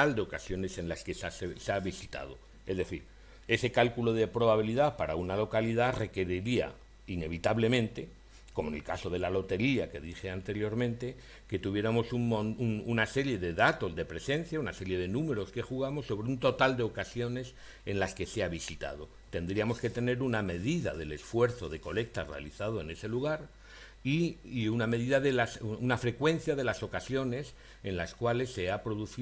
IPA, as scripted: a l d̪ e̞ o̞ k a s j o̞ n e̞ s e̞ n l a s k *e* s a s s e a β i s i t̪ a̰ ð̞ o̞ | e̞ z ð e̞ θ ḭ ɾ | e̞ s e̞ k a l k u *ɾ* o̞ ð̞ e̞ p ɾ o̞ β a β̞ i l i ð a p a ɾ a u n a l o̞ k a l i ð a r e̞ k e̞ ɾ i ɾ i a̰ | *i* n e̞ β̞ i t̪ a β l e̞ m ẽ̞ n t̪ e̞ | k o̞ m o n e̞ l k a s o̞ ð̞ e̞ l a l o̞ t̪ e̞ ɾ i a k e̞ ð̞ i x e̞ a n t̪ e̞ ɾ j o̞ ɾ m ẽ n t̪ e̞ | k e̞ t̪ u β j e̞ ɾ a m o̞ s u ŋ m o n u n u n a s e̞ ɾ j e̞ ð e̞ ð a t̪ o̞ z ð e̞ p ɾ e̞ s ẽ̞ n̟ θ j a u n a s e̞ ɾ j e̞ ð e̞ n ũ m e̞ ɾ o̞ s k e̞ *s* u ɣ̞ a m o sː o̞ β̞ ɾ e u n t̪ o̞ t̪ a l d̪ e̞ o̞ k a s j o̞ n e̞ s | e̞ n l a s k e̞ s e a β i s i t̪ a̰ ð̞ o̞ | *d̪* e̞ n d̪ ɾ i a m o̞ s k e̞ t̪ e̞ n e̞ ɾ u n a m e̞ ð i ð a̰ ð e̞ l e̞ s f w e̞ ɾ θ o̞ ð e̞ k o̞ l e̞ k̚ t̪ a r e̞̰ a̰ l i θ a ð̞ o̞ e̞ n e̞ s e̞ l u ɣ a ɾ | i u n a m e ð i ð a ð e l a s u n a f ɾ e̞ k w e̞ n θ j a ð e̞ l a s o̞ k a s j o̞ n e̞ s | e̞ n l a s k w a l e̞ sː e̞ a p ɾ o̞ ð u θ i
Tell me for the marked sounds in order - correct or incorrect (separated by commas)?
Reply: correct, incorrect, correct, incorrect, incorrect